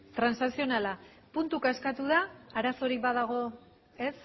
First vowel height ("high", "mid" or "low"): low